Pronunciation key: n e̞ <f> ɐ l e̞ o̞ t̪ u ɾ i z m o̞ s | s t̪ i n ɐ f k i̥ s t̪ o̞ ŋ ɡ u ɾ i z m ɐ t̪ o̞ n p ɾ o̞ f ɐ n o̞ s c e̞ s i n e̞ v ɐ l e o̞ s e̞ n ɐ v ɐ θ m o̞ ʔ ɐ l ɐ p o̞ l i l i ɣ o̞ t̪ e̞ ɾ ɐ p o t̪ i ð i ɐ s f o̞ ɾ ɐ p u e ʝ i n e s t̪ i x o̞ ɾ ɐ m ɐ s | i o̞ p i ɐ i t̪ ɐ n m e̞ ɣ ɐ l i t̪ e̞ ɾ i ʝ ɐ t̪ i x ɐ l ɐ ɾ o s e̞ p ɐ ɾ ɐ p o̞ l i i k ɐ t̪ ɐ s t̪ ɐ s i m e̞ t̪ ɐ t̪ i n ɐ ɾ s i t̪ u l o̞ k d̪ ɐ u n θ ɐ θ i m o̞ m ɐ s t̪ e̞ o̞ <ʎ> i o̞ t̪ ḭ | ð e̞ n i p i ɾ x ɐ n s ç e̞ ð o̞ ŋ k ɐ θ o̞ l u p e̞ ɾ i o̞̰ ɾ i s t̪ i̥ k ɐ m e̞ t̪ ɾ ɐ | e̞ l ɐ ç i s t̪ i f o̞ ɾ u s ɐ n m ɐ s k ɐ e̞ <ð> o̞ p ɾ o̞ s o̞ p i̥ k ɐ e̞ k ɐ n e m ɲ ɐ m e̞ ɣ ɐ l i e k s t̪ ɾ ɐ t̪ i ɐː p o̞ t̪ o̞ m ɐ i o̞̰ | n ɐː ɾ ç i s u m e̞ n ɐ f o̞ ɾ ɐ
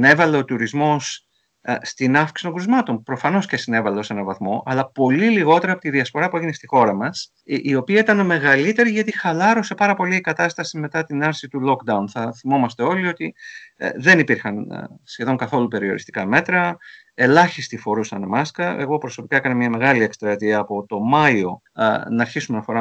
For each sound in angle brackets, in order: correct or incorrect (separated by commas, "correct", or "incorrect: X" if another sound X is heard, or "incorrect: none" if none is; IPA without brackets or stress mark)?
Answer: incorrect: v, incorrect: l, incorrect: ɣ